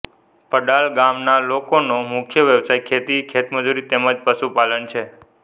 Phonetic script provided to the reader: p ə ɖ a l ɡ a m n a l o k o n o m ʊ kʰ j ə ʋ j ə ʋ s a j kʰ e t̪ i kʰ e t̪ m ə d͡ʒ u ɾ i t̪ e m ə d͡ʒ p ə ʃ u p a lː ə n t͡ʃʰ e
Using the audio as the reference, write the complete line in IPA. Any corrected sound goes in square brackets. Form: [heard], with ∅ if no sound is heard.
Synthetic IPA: p ə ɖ a l ɡ a m n a l o k o n o m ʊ kʰ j ə ʋ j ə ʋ s a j kʰ e t̪ i kʰ e t̪ m ə d͡ʒ u ɾ i t̪ e m ə d͡ʒ p ə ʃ u p a [l] ə n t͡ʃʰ e